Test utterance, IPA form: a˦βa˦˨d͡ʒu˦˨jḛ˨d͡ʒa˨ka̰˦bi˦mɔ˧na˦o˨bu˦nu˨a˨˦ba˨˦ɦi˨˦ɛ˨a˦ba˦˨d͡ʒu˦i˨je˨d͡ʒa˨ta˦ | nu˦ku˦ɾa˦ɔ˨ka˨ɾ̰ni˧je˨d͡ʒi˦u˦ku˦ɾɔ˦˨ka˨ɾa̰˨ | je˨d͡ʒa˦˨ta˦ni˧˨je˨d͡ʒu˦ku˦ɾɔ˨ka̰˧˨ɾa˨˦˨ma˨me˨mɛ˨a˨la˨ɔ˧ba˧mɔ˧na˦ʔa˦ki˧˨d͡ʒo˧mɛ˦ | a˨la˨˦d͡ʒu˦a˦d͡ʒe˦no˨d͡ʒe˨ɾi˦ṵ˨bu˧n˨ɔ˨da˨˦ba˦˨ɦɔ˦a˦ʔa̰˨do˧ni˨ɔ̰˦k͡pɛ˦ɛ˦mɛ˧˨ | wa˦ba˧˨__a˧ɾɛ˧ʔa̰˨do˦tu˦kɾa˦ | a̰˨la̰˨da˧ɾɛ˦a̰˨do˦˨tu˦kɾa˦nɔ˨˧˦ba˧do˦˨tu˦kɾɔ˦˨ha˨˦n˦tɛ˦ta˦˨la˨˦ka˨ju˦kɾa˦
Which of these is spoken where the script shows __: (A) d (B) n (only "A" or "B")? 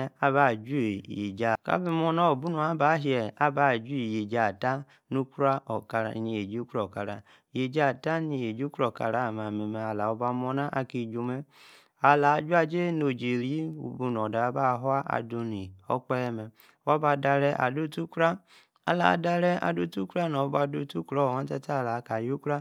A